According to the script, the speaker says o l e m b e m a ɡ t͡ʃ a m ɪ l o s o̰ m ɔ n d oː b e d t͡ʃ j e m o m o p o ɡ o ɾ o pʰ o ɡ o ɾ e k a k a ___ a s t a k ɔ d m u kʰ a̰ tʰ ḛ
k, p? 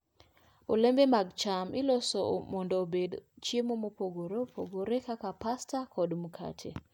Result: p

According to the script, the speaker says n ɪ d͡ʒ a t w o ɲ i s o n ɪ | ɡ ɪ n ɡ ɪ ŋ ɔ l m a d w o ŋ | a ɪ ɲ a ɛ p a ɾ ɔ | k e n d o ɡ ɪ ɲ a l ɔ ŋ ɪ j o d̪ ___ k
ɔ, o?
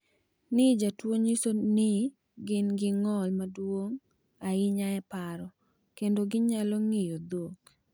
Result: o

